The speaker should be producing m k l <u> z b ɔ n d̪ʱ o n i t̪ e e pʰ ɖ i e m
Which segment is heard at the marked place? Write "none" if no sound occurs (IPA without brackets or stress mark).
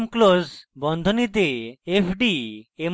o